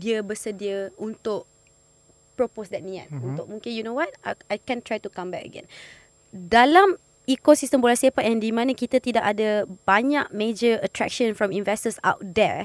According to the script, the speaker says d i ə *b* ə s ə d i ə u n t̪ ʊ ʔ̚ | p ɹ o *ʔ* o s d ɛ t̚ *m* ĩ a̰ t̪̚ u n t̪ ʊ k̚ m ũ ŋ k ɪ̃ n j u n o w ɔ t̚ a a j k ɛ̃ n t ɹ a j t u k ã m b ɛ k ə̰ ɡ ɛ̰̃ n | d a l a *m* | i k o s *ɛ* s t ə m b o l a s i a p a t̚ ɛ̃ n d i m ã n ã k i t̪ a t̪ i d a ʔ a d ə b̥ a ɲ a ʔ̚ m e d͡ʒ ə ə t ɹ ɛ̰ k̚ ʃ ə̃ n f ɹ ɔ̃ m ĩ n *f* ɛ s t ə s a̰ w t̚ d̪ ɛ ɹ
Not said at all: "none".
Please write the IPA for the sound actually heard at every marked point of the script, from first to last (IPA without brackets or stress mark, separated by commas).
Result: b, p, n, m, i, v